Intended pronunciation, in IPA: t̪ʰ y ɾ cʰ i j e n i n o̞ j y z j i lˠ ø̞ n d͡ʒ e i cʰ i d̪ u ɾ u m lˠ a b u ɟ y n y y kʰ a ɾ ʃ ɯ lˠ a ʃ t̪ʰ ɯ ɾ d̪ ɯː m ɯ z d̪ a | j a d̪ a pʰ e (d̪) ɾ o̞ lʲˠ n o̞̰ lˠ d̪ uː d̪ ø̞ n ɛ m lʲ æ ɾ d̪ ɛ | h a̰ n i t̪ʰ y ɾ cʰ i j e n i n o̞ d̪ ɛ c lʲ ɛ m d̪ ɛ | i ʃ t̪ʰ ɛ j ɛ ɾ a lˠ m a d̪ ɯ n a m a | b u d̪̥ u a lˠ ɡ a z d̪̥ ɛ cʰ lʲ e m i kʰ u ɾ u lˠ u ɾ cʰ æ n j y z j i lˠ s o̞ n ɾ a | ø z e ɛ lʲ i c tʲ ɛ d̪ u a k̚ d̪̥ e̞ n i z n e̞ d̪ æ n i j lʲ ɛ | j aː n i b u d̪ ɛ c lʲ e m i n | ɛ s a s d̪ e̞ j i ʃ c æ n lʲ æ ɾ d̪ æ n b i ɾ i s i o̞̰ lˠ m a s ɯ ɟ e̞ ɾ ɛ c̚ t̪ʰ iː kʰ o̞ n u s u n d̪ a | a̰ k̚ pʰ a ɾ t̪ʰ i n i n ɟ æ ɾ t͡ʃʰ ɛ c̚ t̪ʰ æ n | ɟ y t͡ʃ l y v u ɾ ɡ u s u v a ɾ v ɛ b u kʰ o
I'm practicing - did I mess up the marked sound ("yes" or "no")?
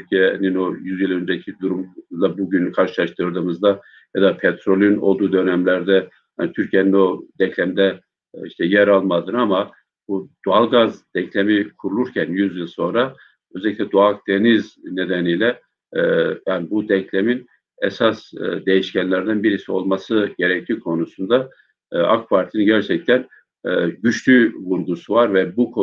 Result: yes